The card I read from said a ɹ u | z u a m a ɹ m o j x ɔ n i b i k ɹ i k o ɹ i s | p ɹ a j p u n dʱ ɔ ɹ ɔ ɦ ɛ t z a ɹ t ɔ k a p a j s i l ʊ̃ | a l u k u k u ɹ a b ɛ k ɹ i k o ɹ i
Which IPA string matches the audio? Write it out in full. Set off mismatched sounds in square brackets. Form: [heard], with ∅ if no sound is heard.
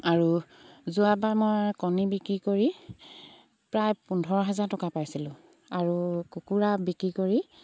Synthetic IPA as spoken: a ɹ u | z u a [b] a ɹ m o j [k] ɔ n i b i k ɹ i k o ɹ i [∅] | p ɹ a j p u n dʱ ɔ ɹ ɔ ɦ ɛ [∅] z a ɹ t ɔ k a p a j s i l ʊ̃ | a [ɹ] u k u k u ɹ a b [i] k ɹ i k o ɹ i